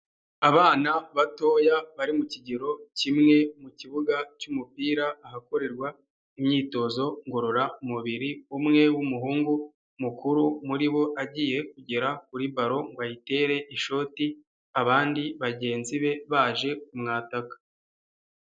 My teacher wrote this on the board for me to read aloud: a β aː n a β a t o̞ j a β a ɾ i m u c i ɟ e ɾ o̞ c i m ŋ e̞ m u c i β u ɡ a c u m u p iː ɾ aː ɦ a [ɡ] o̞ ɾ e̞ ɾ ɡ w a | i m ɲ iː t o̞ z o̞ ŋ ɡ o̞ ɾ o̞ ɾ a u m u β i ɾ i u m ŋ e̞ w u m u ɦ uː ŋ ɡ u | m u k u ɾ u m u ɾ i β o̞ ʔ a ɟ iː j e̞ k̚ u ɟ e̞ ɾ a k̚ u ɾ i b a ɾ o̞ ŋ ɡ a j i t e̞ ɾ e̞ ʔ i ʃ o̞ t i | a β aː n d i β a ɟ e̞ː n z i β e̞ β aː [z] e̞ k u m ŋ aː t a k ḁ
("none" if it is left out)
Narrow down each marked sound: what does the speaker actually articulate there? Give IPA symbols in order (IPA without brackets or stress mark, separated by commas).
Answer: k, ʒ